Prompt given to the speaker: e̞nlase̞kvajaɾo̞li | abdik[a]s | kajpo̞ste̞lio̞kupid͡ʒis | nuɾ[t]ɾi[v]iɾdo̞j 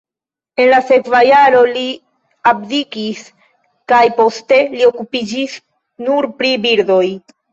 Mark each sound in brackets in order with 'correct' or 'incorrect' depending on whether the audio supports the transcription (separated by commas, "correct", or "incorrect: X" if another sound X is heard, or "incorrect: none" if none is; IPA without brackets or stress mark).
incorrect: i, incorrect: p, incorrect: b